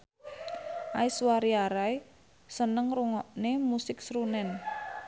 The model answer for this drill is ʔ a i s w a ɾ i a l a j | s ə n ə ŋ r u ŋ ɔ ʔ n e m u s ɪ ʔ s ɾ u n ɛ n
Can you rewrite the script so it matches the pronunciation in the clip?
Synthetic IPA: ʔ a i s w a ɾ i a ɾ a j | s ə n ə ŋ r u ŋ ɔ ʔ n e m u s ɪ k s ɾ u n ɛ n